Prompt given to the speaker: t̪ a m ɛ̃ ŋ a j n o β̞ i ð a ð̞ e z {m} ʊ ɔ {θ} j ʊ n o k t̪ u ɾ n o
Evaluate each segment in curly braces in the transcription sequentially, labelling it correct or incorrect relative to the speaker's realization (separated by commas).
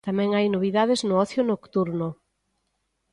incorrect, correct